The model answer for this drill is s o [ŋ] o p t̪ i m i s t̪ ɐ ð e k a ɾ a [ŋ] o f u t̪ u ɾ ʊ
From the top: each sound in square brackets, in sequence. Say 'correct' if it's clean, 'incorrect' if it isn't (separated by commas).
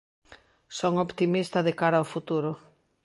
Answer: correct, incorrect